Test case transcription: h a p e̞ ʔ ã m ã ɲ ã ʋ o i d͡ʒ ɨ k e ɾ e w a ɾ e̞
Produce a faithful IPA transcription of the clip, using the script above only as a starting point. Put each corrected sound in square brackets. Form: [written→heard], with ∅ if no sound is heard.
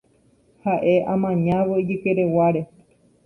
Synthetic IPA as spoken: h a [p→ʔ] e̞ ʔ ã m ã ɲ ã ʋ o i d͡ʒ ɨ k e ɾ e w a ɾ e̞